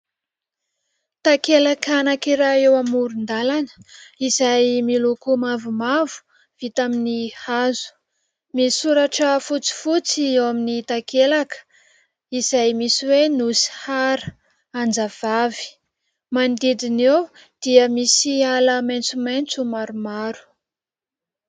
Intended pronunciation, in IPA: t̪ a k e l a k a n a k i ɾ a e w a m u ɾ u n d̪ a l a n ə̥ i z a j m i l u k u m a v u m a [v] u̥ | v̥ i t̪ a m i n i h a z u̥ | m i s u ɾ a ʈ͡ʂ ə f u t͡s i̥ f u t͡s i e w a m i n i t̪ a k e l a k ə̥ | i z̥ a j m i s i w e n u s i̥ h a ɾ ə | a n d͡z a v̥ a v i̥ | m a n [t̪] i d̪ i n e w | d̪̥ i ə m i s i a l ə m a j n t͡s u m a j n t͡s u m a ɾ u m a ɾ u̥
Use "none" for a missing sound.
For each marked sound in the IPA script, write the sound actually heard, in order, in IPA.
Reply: v, d̪

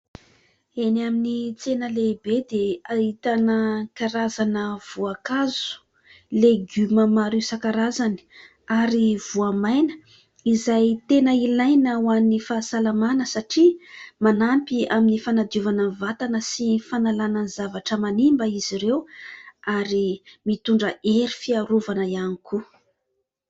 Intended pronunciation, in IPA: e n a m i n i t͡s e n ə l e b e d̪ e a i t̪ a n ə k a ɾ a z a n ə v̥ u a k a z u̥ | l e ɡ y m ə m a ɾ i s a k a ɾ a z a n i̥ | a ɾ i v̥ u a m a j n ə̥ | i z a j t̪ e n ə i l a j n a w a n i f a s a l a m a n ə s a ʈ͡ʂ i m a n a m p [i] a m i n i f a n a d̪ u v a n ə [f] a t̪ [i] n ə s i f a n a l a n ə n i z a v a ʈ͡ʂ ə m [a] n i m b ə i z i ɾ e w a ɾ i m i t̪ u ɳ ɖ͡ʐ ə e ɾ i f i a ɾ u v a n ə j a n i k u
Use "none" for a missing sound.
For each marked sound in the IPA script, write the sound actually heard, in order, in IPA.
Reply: i, v, a, a

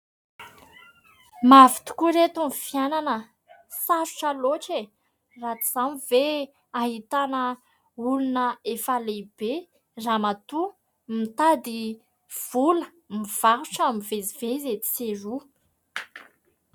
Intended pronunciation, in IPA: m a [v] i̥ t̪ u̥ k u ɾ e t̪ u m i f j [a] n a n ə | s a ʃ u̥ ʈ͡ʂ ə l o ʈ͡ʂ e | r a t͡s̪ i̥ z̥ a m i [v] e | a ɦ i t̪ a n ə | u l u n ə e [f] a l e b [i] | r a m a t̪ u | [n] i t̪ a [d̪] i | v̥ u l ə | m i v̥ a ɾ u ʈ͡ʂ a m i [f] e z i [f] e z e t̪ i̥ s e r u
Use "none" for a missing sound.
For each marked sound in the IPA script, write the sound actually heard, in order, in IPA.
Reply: v, a, v, f, e, m, d̪, v, v

